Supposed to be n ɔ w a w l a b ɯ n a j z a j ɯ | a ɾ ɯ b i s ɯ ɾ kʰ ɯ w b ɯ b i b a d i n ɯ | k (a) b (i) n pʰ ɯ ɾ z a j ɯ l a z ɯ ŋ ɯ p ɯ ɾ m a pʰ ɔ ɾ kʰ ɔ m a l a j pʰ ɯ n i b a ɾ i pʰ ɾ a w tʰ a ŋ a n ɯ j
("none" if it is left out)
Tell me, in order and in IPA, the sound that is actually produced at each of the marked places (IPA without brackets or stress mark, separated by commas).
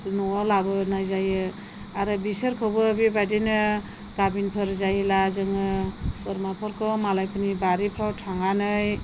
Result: a, i